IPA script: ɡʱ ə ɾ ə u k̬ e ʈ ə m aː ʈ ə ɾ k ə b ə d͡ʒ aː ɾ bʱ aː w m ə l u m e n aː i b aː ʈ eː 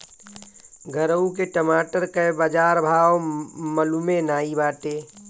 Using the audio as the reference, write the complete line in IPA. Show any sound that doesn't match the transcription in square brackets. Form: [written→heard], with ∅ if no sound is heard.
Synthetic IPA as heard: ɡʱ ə ɾ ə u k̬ e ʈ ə m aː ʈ ə ɾ k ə b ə d͡ʒ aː ɾ bʱ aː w m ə l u m e n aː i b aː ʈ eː